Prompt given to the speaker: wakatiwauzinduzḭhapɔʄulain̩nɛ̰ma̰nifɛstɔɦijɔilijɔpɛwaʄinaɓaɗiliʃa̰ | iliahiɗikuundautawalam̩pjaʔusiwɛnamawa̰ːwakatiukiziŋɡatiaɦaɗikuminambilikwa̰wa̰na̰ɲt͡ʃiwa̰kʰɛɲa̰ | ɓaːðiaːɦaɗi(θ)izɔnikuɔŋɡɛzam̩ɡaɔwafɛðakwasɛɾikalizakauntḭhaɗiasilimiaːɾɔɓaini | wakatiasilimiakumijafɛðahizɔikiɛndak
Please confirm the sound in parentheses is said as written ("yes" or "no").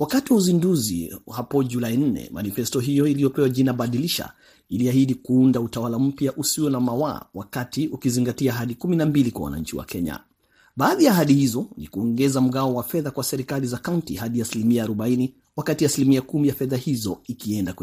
no